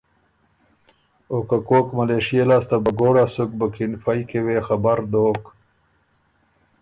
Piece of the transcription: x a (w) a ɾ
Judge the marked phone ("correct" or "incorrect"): incorrect